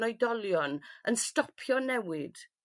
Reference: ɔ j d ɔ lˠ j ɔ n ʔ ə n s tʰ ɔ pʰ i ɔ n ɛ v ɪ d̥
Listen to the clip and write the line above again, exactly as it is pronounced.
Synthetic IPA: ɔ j d ɔ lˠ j ɔ n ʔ ə n s t ɔ pʰ j ɔ n ɛ w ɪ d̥

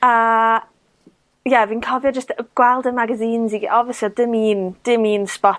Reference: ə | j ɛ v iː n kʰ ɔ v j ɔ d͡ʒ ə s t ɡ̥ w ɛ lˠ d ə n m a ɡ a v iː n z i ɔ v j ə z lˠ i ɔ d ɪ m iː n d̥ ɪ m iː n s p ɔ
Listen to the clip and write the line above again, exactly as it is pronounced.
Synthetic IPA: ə | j ɛ v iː n kʰ ɔ v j ɔ d͡ʒ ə s t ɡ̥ w ɛ lˠ d ə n m a ɡ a z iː n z i ɔ v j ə s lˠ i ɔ d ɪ m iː n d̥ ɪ m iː n s p ɔ

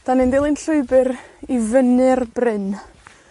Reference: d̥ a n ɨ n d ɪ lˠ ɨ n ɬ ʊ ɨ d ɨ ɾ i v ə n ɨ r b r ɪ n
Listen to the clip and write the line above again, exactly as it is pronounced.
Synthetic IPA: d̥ a n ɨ n d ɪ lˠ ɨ n ɬ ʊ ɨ b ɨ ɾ i v ə n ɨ r b r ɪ n

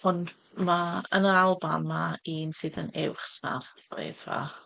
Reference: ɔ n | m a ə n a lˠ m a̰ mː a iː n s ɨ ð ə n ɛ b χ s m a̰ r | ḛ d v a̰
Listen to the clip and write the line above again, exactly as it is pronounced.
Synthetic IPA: ɔ n | m a ə n a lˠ b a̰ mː a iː n s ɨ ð ə n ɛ w χ s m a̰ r | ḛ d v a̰

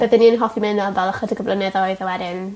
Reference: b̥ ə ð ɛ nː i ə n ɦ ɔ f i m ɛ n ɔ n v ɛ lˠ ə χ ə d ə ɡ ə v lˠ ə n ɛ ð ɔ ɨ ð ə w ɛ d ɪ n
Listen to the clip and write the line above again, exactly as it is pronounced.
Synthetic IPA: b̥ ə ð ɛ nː i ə n ɦ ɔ f i m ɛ n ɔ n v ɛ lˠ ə χ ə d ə ɡ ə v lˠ ə n ɛ ð ɔ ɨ ð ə w ɛ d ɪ n

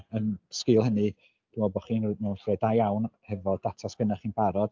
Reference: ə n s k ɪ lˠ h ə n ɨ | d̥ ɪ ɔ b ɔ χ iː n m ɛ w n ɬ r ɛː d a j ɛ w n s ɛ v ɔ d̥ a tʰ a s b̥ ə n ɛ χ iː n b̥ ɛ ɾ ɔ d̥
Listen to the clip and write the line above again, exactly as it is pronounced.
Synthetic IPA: ə n s k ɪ lˠ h ə n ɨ | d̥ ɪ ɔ b ɔ χ iː n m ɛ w n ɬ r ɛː d a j a w n h ɛ v ɔ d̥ a tʰ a s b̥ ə n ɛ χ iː n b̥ a ɾ ɔ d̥

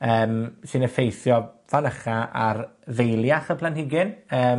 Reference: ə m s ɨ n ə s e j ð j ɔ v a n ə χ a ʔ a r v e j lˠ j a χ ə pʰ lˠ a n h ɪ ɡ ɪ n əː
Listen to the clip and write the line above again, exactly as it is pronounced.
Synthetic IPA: əː m s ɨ n ə f e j θ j ɔ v a n ə χ a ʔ a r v e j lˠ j a χ ə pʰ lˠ a n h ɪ ɡ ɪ n əː

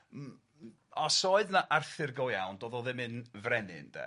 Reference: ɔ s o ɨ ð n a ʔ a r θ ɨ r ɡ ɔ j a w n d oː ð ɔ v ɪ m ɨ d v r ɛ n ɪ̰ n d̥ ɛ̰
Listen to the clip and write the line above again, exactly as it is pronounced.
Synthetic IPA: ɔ s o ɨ ð n a ʔ a r θ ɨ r ɡ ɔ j a w n d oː ð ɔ ð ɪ m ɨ n v r ɛ n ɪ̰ n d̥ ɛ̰

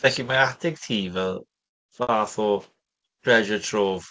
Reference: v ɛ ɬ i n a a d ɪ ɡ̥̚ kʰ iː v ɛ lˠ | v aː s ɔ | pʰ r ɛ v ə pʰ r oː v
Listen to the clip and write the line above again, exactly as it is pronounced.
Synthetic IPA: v ɛ ɬ i m a a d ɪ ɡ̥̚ tʰ iː v ɛ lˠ | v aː θ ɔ | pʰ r ɛ ʒ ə tʰ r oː v

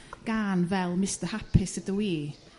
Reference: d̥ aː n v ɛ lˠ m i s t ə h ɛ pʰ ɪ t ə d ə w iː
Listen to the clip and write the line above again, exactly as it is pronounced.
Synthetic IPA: ɡ̥ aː n v ɛ lˠ m ɪ s t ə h a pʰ ɪ s ə d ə w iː

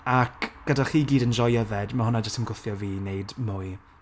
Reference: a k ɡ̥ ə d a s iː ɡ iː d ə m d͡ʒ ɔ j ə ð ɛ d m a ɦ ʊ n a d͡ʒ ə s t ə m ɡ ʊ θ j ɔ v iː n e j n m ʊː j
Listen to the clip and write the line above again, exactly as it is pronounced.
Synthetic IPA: a k ɡ̥ ə d a χ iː ɡ iː d ə n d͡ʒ ɔ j ə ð ɛ d m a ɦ ʊ n a d͡ʒ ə s t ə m ɡ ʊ θ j ɔ v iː n e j d m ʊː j

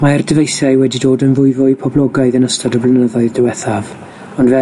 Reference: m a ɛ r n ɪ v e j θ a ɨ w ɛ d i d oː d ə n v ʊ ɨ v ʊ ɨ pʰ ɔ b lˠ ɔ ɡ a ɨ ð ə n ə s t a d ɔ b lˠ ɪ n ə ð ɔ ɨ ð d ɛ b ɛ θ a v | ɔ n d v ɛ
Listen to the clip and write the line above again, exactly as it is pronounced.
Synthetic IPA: m a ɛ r d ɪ v e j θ a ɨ w ɛ d i d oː d ə n v ʊ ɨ v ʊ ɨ pʰ ɔ b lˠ ɔ ɡ a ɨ ð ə n ə s t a d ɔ b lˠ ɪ n ə ð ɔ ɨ ð d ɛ w ɛ θ a v | ɔ n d v ɛ

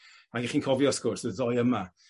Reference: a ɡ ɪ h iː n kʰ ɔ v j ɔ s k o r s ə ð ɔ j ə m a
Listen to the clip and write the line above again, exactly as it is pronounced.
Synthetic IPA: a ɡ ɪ χ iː n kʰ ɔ v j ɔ s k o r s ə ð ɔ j ə m a

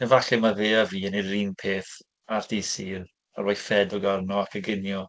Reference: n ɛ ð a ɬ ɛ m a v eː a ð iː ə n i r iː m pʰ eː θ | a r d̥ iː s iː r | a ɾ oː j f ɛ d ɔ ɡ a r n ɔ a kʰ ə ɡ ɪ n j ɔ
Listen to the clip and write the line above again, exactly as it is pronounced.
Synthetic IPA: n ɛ v a ɬ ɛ m a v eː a v iː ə n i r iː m pʰ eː θ | a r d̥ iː s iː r | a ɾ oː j f ɛ d ɔ ɡ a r n ɔ a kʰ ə ɡ ɪ n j ɔ

